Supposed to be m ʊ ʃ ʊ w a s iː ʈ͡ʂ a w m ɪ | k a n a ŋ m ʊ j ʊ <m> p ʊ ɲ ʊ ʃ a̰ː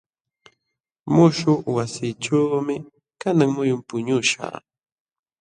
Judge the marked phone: correct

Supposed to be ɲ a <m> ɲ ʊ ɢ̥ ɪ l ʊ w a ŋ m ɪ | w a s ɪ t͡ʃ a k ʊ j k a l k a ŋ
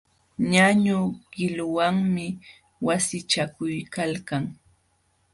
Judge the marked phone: incorrect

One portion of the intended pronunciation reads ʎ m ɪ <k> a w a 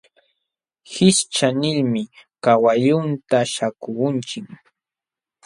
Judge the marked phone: correct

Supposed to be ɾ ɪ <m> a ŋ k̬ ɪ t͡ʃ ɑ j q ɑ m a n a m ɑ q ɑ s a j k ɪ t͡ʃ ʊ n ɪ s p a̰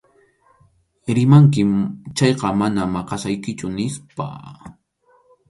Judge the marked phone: correct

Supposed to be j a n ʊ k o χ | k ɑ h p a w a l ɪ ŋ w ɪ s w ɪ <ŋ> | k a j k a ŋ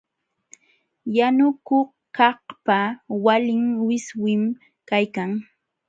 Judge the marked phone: incorrect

